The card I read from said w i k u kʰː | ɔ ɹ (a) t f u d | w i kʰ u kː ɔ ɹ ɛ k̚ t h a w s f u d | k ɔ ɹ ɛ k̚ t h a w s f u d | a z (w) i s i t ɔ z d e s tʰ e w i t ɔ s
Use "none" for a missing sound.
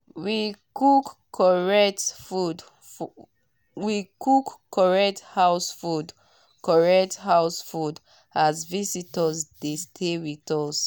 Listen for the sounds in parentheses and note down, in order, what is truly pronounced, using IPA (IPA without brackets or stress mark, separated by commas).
ɛ, v